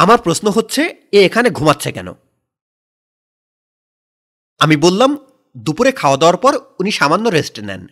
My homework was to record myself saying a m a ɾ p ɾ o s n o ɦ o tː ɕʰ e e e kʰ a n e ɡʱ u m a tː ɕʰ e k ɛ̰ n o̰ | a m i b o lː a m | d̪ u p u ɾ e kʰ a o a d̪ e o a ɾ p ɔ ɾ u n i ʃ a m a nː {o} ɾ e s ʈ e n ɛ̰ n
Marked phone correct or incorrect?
correct